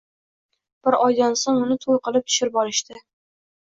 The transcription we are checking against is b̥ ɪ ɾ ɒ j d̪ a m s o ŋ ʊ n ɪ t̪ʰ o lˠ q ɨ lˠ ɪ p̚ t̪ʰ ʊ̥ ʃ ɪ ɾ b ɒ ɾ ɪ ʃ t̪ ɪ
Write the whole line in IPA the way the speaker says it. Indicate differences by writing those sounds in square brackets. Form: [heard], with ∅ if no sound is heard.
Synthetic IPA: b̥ ɪ ɾ ɒ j d̪ a [n] s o ŋ ʊ n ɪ t̪ʰ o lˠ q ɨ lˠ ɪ p̚ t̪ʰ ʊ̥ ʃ ɪ ɾ b ɒ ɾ ɪ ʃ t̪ ɪ